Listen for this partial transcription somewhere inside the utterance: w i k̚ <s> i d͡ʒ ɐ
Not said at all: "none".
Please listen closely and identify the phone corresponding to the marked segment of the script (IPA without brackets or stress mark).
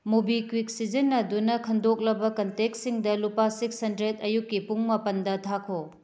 s